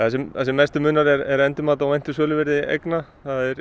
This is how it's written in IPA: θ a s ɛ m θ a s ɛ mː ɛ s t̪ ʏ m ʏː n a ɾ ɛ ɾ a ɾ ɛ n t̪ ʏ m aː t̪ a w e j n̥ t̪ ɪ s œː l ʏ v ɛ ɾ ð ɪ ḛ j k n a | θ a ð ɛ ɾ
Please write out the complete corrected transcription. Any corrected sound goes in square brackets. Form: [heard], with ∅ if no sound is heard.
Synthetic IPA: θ a s ɛ m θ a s ɛ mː ɛ s t̪ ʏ m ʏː n a ɾ ɛ ɾ [ɛ] ɾ ɛ n t̪ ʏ m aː t̪ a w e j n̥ t̪ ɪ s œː l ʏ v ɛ ɾ ð ɪ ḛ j k n a | θ a ð ɛ ɾ